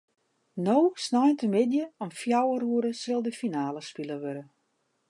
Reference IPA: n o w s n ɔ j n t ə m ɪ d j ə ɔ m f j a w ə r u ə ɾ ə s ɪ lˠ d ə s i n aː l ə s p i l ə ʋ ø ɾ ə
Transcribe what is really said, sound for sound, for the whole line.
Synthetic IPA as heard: n o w s n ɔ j n t ə m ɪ d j ə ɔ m f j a w ə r u ə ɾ ə s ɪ lˠ d ə f i n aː l ə s p i l ə ʋ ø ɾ ə